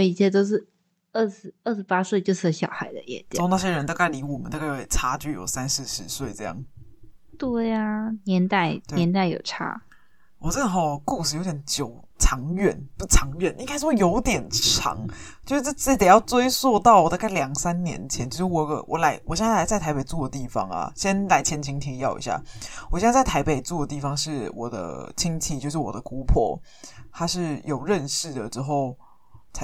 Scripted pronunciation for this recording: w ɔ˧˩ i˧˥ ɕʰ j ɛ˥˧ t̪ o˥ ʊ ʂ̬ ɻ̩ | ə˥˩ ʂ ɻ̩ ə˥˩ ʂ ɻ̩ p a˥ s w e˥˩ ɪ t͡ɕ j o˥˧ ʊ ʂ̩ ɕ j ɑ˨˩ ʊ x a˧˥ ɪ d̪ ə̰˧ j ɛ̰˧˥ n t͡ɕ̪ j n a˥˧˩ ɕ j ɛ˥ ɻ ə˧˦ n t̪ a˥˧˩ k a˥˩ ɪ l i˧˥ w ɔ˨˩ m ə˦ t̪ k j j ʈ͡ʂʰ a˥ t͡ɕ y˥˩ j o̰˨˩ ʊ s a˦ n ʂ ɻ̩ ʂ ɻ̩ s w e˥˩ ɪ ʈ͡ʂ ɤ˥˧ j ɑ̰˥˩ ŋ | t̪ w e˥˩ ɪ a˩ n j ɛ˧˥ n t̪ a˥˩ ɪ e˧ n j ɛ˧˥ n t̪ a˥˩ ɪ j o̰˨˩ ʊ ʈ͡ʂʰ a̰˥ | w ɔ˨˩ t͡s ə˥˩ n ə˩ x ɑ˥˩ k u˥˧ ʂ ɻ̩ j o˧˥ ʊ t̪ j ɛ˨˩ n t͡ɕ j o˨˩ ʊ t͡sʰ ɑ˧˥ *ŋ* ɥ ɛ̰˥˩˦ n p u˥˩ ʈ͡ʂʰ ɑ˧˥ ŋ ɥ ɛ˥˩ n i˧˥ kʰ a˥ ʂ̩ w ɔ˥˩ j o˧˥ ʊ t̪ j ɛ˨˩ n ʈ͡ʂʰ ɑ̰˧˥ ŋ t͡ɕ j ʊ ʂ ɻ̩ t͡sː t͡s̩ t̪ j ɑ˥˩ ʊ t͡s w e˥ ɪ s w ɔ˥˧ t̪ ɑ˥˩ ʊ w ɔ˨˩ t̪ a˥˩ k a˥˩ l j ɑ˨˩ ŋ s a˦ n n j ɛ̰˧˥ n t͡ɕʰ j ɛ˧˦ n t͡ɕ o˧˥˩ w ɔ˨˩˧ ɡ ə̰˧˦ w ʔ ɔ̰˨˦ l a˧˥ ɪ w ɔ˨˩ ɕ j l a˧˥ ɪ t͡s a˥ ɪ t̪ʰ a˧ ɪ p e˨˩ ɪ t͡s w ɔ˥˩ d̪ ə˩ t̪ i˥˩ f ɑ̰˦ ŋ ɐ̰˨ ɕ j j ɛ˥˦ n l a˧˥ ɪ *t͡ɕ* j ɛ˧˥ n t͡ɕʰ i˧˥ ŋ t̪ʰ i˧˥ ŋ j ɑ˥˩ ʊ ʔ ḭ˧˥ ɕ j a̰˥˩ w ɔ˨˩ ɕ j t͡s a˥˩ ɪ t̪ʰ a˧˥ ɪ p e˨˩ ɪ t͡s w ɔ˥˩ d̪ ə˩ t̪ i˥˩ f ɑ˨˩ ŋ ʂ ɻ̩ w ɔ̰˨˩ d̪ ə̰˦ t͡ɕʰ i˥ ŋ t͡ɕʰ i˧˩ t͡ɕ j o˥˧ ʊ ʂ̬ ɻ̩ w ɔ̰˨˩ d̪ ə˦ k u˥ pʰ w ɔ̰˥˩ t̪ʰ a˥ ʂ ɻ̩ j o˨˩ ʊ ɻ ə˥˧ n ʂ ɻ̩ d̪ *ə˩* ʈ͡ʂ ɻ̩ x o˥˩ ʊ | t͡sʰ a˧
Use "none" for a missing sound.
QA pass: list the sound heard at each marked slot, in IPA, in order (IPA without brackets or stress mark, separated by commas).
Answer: ŋ, t͡ɕʰ, ə˩